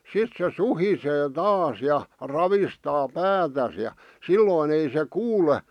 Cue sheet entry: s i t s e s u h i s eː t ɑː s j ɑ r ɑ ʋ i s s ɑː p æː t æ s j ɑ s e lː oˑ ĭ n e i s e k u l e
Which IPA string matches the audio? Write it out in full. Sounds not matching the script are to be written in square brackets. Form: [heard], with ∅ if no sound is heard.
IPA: s i t s e s u h i s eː t ɑː s j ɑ r ɑ ʋ i s [t] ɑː p æː t æ s j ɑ s [i] lː oˑ ĭ n e i s e k [uː] l e